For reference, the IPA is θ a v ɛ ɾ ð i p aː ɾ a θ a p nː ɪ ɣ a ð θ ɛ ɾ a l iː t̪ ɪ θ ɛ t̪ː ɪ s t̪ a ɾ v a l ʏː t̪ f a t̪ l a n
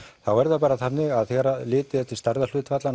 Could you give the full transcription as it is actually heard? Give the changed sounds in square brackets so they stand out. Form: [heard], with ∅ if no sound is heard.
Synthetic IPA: θ a [w] ɛ ɾ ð [a] p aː ɾ a θ a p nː ɪ ɣ a ð θ ɛ ɾ a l [ɪː] t̪ ɪ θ ɛ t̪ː ɪ s t̪ a ɾ [ð] a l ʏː t̪ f a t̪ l a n